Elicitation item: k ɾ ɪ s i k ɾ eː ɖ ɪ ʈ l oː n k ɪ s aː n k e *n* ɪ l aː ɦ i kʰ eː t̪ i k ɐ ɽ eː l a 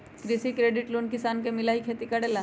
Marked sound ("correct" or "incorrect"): incorrect